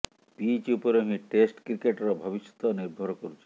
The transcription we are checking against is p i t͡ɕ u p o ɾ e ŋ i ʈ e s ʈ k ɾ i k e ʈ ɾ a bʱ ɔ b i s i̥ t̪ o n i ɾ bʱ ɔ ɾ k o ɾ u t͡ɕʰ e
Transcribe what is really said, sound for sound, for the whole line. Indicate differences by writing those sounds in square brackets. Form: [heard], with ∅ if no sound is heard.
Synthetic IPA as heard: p i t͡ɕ u p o ɾ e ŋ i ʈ e s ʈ k ɾ i k e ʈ ɾ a bʱ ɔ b i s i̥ t̪ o n i ɾ bʱ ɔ ɾ k o ɾ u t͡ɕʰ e